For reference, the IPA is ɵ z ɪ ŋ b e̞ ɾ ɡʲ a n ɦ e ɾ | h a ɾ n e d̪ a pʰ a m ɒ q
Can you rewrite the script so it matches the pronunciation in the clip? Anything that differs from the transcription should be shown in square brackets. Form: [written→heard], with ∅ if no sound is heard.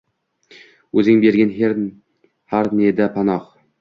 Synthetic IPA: ɵ z ɪ ŋ b e̞ ɾ ɡʲ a n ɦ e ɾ | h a ɾ n e d̪ a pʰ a [m→n] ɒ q